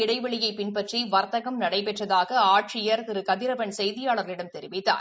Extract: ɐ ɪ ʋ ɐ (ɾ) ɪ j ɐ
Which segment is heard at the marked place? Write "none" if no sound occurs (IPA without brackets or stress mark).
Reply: ɭ